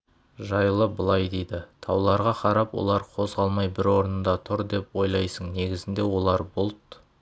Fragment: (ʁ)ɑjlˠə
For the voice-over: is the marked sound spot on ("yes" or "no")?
no